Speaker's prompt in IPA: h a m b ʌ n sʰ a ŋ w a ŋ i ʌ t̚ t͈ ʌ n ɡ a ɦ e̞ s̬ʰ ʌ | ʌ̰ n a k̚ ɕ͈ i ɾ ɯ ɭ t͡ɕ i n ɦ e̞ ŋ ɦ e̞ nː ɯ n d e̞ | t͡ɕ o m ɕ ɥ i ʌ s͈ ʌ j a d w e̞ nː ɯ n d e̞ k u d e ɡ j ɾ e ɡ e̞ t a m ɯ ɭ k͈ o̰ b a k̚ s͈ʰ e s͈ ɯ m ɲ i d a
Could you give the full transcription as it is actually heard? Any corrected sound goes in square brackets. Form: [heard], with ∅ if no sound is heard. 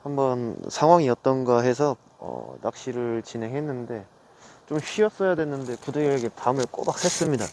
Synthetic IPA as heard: h a m b ʌ n sʰ a ŋ w a ŋ i ʌ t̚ t͈ ʌ n ɡ a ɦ e̞ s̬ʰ ʌ | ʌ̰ n a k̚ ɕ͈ i ɾ ɯ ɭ t͡ɕ i n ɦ e̞ ŋ ɦ e̞ nː ɯ n d e̞ | t͡ɕ o m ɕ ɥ i ʌ s͈ ʌ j a d w e̞ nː ɯ n d e̞ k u d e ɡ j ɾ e ɡ e̞ t a m ɯ ɭ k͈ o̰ b a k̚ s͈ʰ e s͈ ɯ m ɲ i d a